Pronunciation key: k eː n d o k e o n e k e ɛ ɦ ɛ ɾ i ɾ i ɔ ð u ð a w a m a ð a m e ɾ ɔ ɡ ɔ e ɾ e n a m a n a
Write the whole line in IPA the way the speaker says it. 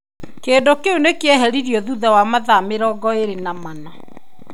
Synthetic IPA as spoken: k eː n d o k e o n e k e ɛ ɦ ɛ ɾ i ɾ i ɔ ð u ð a w a m a ð a m e ɾ ɔ ɡ ɔ e ɾ e n a m a n a